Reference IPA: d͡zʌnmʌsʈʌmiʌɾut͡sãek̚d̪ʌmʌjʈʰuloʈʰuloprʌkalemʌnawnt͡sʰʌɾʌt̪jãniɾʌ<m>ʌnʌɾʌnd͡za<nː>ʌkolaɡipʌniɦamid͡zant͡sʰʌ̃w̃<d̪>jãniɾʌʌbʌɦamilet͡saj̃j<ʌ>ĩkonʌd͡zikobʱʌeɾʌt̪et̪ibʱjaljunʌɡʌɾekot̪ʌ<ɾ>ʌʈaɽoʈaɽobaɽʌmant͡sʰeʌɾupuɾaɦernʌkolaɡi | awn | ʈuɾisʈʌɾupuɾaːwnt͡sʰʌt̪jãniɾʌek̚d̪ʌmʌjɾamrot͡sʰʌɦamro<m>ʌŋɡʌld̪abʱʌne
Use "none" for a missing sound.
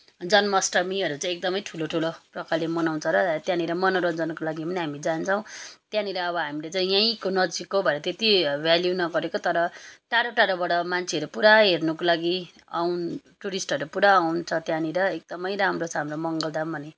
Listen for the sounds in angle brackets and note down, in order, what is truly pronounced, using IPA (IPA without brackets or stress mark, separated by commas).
m, n, t̪, a, ɾ, m